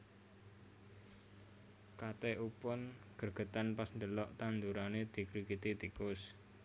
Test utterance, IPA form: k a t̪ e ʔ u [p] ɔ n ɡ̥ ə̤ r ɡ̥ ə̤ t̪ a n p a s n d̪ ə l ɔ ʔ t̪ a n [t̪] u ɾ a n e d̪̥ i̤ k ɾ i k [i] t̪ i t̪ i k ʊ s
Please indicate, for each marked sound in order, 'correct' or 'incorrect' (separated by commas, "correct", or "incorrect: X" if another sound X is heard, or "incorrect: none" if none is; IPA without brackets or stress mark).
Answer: correct, incorrect: d̪, correct